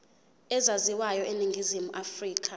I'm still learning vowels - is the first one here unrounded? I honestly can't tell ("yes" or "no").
yes